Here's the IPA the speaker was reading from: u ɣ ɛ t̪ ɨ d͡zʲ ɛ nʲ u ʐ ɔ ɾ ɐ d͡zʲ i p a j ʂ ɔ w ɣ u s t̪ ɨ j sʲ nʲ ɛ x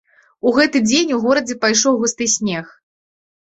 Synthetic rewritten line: u ɣ ɛ t̪ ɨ d͡zʲ e nʲ u ɣ ɔ ɾ ɐ d͡zʲ ɛ p a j ʂ ɔ w ɣ u s t̪ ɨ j sʲ nʲ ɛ x